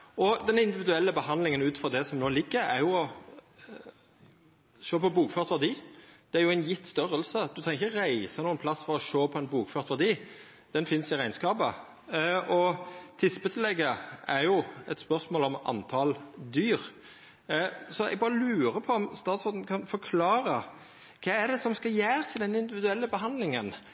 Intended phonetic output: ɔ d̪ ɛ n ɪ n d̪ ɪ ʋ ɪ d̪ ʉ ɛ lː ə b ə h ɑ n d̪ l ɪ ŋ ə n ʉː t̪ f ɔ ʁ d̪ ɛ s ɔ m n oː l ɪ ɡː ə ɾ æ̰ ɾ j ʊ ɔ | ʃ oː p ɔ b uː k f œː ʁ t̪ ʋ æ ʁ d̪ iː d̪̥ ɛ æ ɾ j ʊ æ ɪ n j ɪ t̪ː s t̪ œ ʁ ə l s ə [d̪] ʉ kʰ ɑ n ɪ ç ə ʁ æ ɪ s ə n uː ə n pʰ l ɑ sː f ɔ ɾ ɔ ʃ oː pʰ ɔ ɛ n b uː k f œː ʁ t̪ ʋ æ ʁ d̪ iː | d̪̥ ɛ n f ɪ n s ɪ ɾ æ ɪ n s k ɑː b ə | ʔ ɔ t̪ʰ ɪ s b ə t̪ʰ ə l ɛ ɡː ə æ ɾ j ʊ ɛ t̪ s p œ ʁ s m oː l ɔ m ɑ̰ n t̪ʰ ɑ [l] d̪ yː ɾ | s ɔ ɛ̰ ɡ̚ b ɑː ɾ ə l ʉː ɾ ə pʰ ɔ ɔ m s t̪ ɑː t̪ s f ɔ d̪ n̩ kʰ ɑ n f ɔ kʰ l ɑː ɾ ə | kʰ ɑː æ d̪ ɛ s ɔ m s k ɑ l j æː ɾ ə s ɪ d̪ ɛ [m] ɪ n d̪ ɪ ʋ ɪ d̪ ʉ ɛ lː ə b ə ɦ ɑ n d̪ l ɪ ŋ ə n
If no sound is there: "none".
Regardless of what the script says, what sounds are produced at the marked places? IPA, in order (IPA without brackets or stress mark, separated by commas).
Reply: d̪, l, n